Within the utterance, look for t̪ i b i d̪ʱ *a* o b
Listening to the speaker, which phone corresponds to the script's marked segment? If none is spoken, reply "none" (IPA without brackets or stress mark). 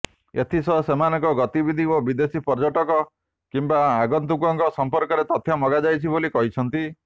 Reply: i